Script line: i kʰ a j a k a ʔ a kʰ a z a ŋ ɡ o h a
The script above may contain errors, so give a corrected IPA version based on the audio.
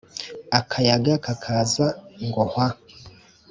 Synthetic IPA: a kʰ a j a ɡ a k a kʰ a z a ŋ ɡ o h a